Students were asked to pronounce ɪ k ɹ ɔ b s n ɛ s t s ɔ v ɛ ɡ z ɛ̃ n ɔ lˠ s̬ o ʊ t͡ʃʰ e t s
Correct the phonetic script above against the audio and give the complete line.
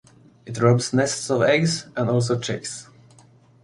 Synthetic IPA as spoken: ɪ t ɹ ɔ b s n ɛ s t s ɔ v ɛ ɡ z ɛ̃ n ɔ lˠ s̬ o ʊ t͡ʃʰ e k s

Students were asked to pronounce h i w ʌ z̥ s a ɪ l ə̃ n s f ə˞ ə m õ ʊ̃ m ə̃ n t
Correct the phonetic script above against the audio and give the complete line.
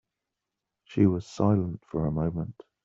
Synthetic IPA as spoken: ʃ i w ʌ z̥ s a ɪ l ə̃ n t f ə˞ ə m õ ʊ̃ m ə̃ n t

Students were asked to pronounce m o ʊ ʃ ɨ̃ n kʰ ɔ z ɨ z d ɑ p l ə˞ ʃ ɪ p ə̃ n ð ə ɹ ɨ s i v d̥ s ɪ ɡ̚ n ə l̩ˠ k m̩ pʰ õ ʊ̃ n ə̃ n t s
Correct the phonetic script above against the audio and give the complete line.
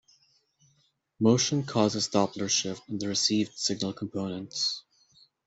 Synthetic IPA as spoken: m o ʊ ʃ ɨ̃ n kʰ ɔ z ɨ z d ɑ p l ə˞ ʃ ɪ p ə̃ n ð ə ɹ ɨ s i v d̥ s ɪ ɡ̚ n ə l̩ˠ kʰ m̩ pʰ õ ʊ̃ n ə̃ n t s

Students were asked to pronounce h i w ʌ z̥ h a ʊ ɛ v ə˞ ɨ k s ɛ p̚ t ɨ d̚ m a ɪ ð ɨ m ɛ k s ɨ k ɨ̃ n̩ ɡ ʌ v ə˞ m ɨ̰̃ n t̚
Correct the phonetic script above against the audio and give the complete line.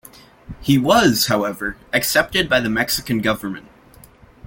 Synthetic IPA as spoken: h i w ʌ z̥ h a ʊ ɛ v ə˞ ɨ k s ɛ p̚ t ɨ d̚ b a ɪ ð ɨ m ɛ k s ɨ k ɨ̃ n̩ ɡ ʌ v ə˞ m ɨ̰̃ n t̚

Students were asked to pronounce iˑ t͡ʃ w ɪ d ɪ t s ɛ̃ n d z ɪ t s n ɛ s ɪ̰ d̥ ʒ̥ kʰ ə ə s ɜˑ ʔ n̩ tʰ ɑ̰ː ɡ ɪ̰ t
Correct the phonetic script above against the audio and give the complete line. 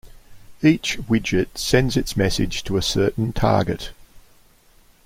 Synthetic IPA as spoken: iˑ t͡ʃ w ɪ d͡ʒ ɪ t s ɛ̃ n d z ɪ t s m ɛ s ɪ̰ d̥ ʒ̥ tʰ ə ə s ɜˑ ʔ n̩ tʰ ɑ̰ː ɡ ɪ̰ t

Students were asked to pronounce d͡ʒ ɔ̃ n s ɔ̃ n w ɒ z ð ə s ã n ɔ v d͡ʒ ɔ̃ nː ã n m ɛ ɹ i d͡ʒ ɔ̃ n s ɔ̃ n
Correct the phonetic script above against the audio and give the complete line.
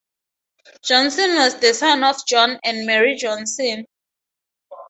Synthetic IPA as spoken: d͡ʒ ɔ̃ n s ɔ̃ n w ɔ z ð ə s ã n ɔ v d͡ʒ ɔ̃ n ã n m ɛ ɹ i d͡ʒ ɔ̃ n s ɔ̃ n

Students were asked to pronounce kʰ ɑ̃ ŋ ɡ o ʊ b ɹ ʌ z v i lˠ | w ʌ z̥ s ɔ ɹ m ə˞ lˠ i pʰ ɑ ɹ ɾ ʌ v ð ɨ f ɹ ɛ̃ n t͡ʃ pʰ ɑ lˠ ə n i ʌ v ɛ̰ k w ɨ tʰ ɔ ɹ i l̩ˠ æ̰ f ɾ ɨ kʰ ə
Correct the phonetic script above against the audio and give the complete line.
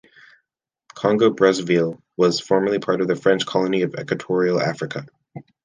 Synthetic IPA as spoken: kʰ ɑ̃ ŋ ɡ o ʊ b ɹ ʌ z v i lˠ | w ʌ z̥ f ɔ ɹ m ə˞ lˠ i pʰ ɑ ɹ ɾ ʌ v ð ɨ f ɹ ɛ̃ n t͡ʃ kʰ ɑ lˠ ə n i ʌ v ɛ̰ k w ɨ tʰ ɔ ɹ i l̩ˠ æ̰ f ɹ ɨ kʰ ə

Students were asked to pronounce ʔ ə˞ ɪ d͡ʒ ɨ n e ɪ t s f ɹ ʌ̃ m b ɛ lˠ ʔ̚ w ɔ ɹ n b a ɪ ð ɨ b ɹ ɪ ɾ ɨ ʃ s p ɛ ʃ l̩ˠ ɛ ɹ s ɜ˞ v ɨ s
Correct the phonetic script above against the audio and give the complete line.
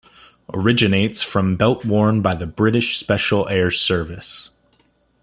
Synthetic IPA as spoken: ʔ ə˞ ɪ d͡ʒ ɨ n e ɪ t s f ɹ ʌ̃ m b ɛ lˠ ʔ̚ w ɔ ɹ n b a ɪ ð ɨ b ɹ ɪ ɾ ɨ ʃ s p ɛ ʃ l̩ˠ ɛ ɹ s ɜ˞ v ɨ s

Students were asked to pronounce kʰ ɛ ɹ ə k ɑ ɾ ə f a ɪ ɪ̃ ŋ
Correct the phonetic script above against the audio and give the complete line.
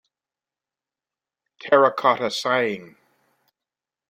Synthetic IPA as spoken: tʰ ɛ ɹ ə kʰ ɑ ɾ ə s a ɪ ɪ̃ ŋ

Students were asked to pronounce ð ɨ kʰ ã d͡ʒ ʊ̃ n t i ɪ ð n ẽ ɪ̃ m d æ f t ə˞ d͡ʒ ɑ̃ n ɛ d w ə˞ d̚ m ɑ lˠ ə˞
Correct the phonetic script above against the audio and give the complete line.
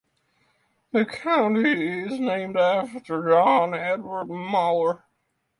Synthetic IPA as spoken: ð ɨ kʰ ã ʊ̃ n t i ɪ z n ẽ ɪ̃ m d æ f t ə˞ d͡ʒ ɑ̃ n ɛ d w ə˞ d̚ m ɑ lˠ ə˞

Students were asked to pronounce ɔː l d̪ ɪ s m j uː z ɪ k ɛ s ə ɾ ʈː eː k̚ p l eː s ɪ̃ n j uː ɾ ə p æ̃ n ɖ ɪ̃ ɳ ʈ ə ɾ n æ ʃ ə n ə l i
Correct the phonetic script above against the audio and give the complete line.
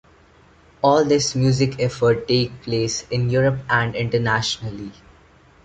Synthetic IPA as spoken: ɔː l d̪ ɪ s m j uː z ɪ k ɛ f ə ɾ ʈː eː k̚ p l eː s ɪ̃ n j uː ɾ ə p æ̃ ɳ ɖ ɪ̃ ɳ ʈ ə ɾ n æ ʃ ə n ə l i

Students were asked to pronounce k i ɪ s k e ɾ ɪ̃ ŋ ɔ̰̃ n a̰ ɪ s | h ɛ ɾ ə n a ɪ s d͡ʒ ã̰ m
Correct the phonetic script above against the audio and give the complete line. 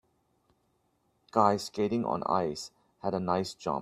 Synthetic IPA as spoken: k a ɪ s k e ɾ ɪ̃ ŋ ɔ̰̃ n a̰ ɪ s | h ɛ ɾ ə n a ɪ s d͡ʒ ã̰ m

